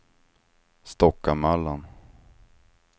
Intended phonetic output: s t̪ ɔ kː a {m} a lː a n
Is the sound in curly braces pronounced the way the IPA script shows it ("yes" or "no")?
yes